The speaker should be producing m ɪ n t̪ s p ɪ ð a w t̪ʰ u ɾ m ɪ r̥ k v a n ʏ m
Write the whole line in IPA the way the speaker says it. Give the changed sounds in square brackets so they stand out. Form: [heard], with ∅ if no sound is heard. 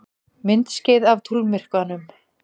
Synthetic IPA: m ɪ n t̪ s [c] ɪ ð a [v] t̪ʰ u [l] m ɪ r̥ k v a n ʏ m